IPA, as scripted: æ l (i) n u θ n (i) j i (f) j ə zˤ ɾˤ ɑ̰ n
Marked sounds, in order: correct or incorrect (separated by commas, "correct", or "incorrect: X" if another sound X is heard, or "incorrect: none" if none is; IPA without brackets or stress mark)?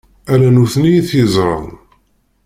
incorrect: æ, correct, incorrect: θ